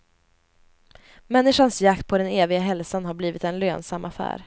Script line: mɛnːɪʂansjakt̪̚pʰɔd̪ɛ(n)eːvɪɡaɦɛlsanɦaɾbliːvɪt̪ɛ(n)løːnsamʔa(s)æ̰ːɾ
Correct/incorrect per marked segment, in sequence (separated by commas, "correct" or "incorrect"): correct, correct, incorrect